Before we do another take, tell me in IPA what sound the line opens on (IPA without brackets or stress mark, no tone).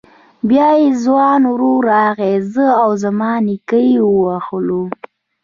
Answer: b